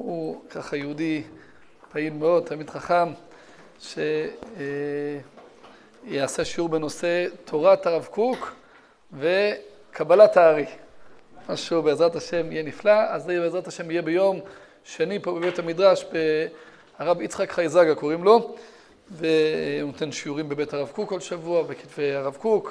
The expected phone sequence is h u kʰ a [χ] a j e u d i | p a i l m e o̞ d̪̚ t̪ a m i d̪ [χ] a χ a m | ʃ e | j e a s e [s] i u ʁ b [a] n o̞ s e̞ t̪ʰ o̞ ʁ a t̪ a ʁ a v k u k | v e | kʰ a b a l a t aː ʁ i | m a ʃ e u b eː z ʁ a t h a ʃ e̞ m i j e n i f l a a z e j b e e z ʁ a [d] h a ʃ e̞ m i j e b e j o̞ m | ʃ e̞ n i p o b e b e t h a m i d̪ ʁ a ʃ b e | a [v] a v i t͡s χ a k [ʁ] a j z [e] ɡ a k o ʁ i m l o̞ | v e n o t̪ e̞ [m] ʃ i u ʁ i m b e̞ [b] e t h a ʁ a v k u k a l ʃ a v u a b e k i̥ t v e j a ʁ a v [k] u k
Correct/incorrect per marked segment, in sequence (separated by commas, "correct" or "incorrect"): correct, correct, incorrect, incorrect, incorrect, incorrect, incorrect, incorrect, incorrect, correct, correct